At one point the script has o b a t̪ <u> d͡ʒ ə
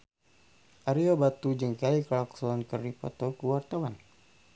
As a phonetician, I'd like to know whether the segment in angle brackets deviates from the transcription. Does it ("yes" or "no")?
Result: no